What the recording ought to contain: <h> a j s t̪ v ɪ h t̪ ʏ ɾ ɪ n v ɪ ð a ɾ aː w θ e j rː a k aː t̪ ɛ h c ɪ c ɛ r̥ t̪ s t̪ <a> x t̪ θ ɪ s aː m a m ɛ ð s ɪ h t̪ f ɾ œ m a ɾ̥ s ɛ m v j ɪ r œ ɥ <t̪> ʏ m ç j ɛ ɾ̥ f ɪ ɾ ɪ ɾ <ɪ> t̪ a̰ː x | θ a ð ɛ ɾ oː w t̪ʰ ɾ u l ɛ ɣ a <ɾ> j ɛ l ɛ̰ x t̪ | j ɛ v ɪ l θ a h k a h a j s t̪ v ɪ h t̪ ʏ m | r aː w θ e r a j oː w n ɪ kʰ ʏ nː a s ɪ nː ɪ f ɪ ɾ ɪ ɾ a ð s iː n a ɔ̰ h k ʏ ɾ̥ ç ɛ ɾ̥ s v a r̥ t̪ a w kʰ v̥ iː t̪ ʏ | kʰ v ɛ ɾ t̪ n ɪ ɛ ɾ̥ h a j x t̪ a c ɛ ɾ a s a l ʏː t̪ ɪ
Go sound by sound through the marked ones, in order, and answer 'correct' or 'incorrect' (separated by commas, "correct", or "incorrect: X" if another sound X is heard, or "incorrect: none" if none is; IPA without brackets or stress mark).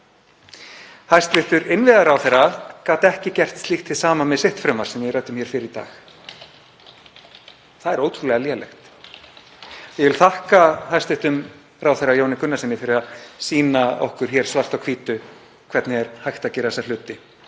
correct, incorrect: i, correct, incorrect: i, incorrect: l